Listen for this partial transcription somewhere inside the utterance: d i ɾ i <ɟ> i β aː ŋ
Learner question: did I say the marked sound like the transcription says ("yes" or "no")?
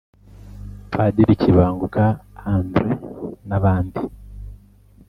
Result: no